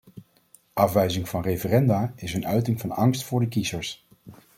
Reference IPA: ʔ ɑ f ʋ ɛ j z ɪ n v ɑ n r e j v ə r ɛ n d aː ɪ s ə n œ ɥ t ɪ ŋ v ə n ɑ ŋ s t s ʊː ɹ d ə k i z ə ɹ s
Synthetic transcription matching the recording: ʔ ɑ f ʋ ɛ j z ɪ ŋ v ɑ n r e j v ə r ɛ n d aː ɪ s ə n œ ɥ t ɪ ŋ v ɑ n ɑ ŋ s t f ʊː ɹ d ə k i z ə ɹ s